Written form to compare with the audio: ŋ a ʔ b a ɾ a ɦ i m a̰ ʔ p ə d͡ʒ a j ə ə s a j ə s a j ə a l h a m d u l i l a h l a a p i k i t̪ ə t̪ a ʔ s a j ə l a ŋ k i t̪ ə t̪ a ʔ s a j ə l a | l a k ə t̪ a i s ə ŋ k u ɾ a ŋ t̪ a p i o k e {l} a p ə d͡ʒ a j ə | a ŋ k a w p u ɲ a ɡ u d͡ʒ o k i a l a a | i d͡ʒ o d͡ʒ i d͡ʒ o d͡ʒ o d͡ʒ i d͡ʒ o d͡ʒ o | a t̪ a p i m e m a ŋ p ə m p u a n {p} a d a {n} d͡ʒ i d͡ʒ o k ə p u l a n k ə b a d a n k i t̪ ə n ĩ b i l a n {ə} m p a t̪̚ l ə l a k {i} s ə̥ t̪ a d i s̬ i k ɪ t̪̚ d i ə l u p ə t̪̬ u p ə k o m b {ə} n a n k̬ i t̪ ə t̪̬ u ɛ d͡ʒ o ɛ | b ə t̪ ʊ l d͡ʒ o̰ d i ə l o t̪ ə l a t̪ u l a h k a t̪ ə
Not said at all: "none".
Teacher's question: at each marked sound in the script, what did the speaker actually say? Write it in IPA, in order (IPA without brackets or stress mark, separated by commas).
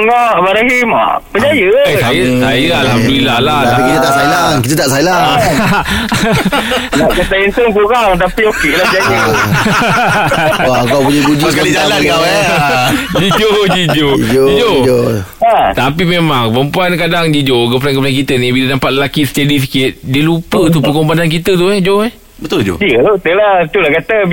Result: l, k, ŋ, a, i, a